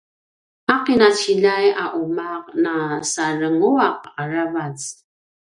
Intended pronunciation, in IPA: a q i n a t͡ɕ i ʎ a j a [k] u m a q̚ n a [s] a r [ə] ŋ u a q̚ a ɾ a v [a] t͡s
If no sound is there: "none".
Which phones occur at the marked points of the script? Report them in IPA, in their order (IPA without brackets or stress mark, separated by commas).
ʔ, s, ə, a